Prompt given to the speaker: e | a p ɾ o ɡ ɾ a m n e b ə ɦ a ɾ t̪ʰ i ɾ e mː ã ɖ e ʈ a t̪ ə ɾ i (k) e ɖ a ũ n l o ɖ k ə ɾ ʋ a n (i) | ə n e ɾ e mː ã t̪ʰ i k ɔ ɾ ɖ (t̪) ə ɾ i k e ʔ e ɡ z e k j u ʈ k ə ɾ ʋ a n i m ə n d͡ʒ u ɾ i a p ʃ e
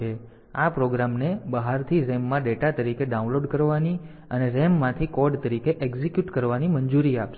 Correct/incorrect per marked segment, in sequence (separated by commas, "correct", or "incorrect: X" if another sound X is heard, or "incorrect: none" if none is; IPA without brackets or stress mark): correct, correct, correct